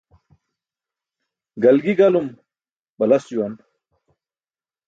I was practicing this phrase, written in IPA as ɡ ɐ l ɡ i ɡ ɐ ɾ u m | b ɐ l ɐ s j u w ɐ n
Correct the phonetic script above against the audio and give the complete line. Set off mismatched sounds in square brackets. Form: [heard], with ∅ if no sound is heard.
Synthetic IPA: ɡ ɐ l ɡ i ɡ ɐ [l] u m | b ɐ l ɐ s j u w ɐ n